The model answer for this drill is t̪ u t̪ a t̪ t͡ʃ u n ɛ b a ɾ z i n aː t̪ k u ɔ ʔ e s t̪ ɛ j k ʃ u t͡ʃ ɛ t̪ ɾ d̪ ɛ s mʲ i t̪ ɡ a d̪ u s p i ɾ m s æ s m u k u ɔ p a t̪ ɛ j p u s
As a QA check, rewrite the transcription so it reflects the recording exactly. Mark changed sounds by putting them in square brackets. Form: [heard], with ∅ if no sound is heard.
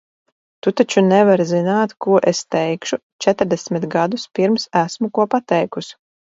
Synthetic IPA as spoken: t̪ u t̪ a [∅] t͡ʃ u n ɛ [v] a ɾ z i n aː t̪ k u ɔ ʔ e s t̪ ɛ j k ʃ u t͡ʃ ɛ t̪ ɾ d̪ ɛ s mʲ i t̪ ɡ a d̪ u s p i ɾ m s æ s m u k u ɔ p a t̪ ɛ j [k] u s